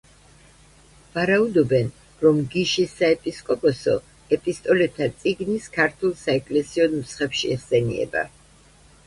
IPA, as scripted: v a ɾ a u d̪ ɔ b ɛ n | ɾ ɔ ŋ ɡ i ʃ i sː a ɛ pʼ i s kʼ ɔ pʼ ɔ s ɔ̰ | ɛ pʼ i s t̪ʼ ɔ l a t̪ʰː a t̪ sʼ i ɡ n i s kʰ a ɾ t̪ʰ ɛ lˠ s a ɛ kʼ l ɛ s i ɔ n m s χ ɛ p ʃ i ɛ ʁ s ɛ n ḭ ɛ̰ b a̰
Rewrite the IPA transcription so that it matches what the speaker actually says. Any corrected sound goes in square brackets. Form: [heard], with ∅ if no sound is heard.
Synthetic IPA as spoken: v a ɾ a u d̪ ɔ b ɛ n | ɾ ɔ [m] ɡ i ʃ i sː a ɛ pʼ i s kʼ ɔ pʼ ɔ s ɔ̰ | ɛ pʼ i s t̪ʼ ɔ l [ɛ] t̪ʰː a t̪ sʼ i ɡ n i s kʰ a ɾ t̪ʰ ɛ lˠ s a ɛ kʼ l ɛ s i ɔ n m s χ ɛ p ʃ i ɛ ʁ s ɛ n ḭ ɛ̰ b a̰